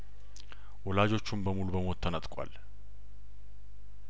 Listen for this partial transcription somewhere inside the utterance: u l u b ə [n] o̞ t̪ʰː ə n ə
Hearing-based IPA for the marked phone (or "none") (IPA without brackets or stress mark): m